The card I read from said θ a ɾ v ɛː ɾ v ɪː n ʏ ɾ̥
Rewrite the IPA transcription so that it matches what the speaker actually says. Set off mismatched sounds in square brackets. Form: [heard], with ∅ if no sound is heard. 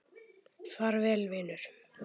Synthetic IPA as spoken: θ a ɾ v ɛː [l] v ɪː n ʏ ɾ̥